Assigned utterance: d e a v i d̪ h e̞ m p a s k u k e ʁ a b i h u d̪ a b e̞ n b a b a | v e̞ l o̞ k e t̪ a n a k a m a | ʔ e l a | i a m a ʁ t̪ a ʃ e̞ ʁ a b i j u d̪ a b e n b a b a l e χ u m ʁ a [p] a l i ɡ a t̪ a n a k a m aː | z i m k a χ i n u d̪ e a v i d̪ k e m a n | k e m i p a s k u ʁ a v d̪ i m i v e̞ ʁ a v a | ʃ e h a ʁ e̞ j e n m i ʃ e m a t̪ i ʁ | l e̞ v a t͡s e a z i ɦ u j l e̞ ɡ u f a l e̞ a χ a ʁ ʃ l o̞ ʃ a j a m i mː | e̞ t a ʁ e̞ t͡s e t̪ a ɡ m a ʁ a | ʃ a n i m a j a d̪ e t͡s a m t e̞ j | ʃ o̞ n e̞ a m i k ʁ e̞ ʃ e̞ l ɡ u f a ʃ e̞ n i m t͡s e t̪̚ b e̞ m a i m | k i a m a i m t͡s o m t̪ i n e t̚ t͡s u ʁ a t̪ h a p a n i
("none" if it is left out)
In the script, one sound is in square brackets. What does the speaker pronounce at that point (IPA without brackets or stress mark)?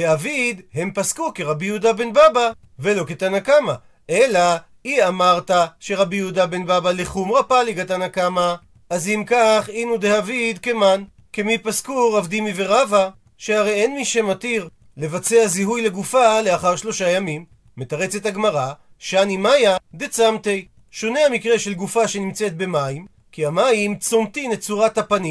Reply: p